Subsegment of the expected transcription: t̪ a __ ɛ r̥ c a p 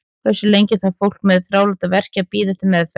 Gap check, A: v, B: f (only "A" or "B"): A